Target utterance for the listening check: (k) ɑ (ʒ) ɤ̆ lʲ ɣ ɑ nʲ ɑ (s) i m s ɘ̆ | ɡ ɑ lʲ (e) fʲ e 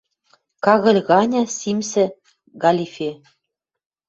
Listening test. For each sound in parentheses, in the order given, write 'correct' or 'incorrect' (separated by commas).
correct, incorrect, correct, incorrect